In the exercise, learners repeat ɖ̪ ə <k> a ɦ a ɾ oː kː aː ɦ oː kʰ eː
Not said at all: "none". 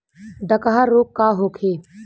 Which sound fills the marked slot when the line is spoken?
k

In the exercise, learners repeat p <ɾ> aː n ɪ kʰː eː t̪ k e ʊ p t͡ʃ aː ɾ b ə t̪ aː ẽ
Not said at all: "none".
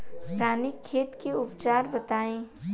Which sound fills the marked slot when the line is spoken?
ɾ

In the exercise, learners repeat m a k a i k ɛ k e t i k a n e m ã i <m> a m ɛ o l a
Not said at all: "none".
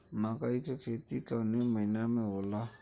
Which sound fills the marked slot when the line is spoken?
n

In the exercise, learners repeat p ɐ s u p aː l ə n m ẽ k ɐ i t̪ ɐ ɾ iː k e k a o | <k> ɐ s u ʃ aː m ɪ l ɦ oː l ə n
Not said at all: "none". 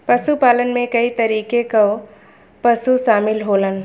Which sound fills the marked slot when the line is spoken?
p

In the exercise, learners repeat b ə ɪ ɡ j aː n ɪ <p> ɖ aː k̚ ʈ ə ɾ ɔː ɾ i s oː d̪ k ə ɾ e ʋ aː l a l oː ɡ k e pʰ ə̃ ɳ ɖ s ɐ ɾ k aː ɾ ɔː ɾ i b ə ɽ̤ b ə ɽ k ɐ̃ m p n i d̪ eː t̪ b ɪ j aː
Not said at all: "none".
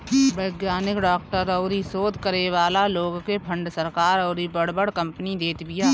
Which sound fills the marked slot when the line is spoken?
k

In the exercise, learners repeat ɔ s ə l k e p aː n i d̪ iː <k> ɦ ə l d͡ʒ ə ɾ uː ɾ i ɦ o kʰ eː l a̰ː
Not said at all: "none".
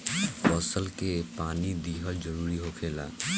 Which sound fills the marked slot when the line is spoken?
none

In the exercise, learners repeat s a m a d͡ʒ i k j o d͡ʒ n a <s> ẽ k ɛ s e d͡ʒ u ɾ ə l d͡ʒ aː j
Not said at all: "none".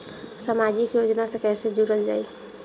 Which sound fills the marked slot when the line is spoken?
s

